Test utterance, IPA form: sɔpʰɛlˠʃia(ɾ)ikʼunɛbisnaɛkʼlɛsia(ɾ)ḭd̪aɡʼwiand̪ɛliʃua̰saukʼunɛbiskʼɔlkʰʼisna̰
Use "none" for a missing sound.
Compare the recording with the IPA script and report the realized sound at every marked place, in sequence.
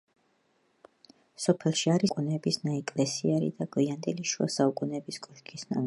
ɾ, ɾ

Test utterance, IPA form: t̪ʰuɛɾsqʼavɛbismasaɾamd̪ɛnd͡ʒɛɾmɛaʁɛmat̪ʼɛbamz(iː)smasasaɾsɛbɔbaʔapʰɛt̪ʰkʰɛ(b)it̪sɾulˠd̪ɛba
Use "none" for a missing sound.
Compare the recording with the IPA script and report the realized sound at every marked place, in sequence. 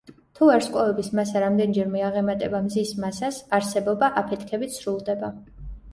i, b

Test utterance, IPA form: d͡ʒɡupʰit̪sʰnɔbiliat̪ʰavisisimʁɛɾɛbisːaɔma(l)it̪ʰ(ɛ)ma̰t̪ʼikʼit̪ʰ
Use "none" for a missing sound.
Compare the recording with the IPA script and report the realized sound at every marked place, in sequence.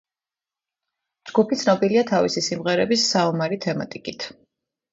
ɾ, ɛ

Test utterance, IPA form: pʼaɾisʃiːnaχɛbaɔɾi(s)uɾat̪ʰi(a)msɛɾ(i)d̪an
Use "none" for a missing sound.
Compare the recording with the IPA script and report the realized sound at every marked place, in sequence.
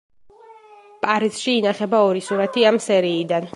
s, a, iː

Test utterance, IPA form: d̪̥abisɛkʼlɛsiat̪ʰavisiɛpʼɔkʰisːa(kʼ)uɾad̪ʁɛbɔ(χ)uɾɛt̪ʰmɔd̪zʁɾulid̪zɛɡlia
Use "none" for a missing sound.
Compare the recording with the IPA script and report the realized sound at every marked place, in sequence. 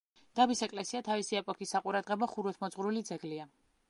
qʼ, χ

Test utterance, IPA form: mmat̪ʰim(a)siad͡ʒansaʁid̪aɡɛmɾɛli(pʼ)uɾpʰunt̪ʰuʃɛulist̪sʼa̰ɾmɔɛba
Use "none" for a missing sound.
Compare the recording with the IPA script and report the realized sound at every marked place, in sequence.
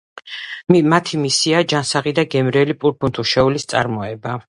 i, pʼ

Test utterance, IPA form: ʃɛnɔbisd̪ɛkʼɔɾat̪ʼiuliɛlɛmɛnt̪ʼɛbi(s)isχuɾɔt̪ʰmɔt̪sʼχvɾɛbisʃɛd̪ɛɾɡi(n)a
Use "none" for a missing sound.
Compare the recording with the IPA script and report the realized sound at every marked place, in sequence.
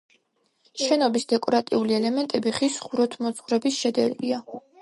χ, none

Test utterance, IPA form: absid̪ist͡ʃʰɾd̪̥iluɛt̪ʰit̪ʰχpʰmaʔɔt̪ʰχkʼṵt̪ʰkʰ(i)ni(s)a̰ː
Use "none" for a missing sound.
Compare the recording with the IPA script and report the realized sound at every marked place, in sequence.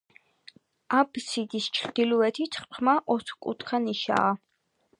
a, ʃ

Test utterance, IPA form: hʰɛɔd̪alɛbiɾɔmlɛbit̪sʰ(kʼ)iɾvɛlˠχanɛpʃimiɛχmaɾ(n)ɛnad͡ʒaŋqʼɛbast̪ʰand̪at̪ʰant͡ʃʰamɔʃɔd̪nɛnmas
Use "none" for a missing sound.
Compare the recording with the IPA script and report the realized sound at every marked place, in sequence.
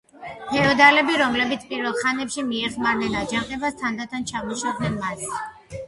pʼ, n

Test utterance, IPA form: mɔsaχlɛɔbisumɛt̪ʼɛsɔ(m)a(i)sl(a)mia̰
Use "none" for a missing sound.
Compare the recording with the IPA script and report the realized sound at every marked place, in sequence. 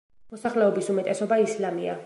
b, i, a

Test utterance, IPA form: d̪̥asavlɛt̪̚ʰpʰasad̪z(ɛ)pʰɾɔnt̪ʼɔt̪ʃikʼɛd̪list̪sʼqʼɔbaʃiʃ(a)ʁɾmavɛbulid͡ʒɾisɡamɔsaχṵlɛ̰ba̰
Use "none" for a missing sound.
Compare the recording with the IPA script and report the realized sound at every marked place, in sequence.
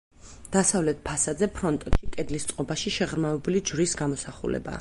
ɛ, ɛ

